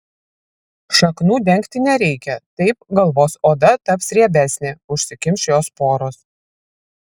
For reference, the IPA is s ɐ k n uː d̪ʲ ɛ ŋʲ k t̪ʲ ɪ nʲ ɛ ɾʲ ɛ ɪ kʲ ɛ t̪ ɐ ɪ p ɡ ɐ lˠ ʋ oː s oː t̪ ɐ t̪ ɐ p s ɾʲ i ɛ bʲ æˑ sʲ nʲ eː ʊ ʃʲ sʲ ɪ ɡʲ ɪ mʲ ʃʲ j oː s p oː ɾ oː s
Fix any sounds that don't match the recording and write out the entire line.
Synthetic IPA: ʃ ɐ k n uː d̪ʲ ɛ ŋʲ k t̪ʲ ɪ nʲ ɛ ɾʲ ɛ ɪ kʲ ɛ t̪ ɐ ɪ p ɡ ɐ lˠ ʋ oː s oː d̪ ɐ t̪ ɐ p s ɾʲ i ɛ bʲ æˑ sʲ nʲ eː ʊ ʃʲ sʲ ɪ kʲ ɪ mʲ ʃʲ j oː s p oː ɾ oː s